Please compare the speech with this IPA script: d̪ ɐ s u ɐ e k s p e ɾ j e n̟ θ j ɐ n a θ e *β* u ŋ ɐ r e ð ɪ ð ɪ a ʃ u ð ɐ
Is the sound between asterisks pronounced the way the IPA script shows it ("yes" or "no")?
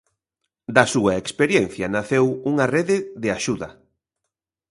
no